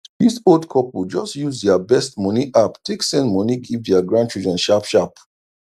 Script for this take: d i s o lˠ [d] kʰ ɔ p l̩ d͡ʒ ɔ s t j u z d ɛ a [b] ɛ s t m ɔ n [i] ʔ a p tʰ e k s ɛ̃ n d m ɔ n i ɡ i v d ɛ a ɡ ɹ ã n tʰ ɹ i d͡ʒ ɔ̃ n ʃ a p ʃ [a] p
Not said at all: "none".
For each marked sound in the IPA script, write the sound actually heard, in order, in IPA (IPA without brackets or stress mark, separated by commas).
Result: d, b, i, a